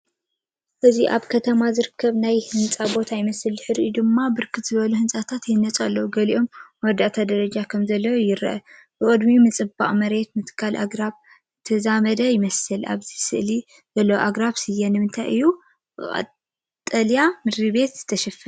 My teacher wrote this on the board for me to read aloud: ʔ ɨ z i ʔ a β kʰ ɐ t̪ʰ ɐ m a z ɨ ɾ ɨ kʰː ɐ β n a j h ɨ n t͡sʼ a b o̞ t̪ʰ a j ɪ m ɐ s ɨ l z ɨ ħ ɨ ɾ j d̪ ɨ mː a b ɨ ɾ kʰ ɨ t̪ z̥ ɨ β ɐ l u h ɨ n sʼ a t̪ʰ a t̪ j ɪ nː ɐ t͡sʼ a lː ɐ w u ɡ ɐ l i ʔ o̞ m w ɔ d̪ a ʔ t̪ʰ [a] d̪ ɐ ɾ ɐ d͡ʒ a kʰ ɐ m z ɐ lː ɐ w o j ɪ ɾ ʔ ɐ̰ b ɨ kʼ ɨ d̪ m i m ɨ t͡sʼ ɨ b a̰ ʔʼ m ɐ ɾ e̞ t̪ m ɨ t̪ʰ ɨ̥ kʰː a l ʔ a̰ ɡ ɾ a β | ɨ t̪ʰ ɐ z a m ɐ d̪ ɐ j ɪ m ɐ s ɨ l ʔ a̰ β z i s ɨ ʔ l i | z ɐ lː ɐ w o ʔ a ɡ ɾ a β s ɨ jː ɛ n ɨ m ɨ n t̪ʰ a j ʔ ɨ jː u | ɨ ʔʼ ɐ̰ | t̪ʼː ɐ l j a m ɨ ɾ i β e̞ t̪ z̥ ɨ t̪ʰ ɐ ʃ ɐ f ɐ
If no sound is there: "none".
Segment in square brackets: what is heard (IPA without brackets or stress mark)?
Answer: a